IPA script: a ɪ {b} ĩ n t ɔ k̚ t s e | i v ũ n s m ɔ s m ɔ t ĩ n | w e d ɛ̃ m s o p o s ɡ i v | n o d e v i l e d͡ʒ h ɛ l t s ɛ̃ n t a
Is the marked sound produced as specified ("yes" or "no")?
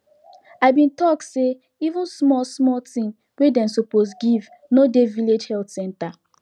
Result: yes